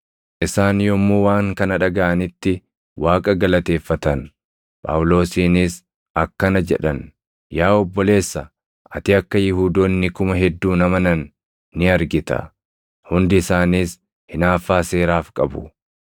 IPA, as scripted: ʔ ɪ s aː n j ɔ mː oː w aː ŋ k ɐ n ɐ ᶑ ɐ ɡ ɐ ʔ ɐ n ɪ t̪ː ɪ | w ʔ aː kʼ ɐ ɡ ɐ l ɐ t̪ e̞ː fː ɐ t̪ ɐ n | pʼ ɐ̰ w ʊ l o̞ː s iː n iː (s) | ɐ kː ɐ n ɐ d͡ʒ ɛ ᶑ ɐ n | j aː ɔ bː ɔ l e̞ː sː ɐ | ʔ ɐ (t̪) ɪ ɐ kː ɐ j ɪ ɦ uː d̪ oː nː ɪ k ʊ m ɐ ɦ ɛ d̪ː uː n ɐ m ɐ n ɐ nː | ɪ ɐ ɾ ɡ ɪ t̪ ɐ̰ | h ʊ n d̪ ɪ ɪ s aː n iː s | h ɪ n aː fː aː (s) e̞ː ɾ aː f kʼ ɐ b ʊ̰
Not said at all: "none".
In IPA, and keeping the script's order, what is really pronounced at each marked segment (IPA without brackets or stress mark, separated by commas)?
s, t̪, s